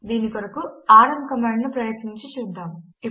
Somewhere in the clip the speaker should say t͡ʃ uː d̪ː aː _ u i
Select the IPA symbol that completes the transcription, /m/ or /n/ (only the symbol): m